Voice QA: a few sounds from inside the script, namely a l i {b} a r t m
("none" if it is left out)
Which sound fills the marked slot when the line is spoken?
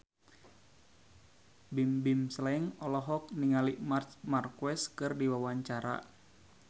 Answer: m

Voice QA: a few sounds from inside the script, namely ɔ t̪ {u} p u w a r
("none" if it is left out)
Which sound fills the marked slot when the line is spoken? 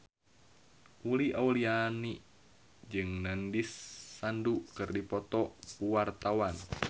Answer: ɔ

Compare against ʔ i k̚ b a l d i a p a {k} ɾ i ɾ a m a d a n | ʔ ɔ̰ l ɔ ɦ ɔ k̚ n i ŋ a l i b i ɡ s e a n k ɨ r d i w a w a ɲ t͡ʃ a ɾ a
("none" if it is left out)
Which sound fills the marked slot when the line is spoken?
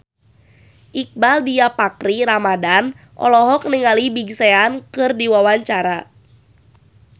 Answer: k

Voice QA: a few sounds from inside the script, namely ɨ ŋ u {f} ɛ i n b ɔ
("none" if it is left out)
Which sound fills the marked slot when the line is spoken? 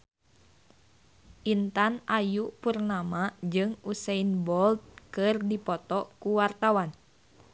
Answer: s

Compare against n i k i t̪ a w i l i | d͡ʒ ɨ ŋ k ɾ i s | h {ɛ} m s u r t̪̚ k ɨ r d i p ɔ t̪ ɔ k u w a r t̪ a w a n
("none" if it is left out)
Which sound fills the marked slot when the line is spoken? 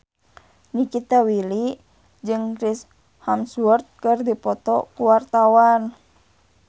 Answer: a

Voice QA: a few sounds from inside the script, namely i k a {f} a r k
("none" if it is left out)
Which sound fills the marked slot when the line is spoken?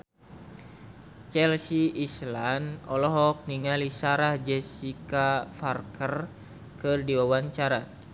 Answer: f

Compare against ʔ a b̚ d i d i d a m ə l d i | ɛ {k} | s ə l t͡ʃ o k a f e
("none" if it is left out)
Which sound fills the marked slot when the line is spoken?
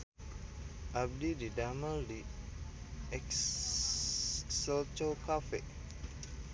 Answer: k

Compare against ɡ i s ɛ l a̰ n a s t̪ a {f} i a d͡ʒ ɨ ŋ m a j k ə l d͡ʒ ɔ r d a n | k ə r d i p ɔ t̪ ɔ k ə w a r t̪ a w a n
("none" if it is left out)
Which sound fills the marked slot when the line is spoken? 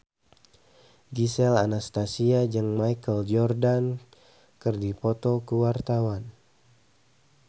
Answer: s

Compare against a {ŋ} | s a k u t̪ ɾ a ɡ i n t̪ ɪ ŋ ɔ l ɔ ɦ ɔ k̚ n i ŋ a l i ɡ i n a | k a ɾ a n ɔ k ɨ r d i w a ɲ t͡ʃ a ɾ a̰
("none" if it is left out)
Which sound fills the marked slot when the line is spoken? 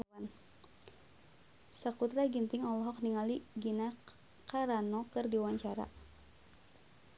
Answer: n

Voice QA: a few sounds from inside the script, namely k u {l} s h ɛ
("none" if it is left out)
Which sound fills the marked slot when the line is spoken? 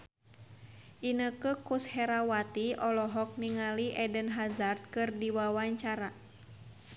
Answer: none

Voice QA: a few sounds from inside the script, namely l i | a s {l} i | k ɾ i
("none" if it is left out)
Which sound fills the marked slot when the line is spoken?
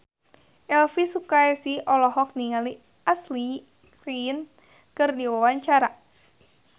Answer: l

